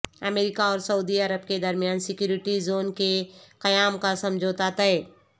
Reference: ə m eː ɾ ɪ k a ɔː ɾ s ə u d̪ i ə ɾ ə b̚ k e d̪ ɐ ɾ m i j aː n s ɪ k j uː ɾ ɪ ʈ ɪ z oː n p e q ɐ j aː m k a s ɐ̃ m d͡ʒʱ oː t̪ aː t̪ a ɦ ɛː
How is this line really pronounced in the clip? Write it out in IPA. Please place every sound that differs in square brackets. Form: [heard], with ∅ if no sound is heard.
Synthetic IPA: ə m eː ɾ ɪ k a ɔː ɾ s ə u d̪ i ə ɾ ə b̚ k e d̪ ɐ ɾ m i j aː n s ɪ k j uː ɾ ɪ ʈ [i] z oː n [k] e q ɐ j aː m k a s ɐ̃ m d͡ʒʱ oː t̪ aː t̪ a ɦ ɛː